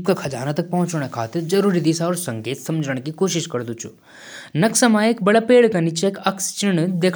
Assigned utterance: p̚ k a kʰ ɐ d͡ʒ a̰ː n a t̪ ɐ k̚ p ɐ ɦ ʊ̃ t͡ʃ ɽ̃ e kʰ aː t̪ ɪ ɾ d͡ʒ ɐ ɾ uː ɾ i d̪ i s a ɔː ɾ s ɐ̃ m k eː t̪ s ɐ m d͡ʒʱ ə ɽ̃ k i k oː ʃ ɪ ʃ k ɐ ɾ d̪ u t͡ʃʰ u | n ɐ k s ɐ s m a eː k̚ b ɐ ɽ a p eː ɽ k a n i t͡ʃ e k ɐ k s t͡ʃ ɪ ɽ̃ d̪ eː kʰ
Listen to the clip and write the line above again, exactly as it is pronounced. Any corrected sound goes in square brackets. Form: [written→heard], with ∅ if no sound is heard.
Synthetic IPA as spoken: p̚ k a kʰ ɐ d͡ʒ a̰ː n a t̪ ɐ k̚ p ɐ ɦ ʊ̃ t͡ʃ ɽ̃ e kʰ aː t̪ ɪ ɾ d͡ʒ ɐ ɾ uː ɾ i d̪ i s a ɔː ɾ s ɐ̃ [m→ŋ] k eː t̪ s ɐ m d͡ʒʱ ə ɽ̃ k i k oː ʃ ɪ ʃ k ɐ ɾ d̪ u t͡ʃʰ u | n ɐ k s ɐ [s→∅] m a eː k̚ b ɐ ɽ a p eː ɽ k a n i t͡ʃ e k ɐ k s t͡ʃ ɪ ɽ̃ d̪ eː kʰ

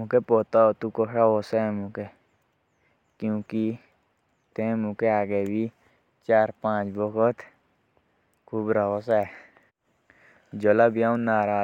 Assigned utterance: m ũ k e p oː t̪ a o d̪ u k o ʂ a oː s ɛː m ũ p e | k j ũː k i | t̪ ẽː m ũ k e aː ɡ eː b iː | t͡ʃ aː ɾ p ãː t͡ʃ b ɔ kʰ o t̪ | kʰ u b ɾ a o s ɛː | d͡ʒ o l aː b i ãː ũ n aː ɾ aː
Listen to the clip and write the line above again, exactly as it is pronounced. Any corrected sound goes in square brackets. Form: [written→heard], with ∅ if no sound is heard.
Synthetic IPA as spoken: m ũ k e p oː t̪ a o [d̪→t̪] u k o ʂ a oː s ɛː m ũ [p→k] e | k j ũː k i | t̪ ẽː m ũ k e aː ɡ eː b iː | t͡ʃ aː ɾ p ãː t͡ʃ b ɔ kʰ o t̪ | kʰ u b ɾ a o s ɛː | d͡ʒ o l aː b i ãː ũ n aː ɾ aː

